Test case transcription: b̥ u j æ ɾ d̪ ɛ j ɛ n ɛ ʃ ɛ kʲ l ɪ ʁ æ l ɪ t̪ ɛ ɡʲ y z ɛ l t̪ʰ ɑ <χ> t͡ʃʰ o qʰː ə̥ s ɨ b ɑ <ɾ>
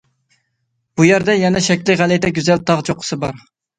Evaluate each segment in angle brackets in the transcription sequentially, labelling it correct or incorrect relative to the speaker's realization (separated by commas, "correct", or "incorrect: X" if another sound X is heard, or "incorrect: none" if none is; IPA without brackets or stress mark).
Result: incorrect: ʁ, correct